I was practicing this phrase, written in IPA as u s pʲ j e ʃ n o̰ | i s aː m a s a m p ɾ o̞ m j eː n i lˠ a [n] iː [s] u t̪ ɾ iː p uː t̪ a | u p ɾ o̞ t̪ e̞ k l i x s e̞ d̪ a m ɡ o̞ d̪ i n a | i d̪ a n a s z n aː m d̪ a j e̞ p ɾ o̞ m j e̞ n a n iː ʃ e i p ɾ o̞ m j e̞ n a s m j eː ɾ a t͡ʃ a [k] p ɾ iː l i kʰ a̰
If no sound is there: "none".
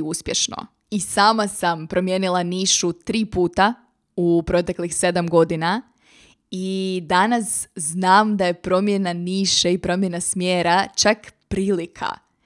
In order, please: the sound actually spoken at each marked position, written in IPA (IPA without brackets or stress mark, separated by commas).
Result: n, ʃ, k